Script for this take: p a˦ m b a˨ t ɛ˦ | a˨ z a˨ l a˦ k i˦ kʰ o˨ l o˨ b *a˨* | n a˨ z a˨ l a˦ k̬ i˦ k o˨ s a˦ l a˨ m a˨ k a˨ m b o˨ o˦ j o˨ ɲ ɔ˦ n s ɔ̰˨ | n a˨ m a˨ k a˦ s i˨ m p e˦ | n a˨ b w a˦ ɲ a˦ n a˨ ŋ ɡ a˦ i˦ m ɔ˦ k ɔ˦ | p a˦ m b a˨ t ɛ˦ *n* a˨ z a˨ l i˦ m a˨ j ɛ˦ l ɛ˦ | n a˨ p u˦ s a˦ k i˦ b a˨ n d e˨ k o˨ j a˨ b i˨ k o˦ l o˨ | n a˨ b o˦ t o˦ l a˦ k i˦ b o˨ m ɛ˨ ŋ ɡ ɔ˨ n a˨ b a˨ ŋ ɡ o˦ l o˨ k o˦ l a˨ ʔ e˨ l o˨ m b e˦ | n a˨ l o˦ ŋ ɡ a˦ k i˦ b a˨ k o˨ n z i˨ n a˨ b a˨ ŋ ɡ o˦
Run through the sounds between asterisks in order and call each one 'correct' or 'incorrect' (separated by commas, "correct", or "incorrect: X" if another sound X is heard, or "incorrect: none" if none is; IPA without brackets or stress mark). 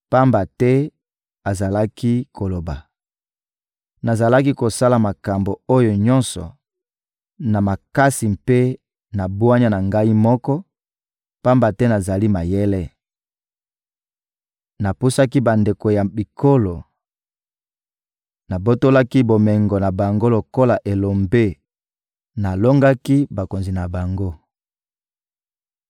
correct, correct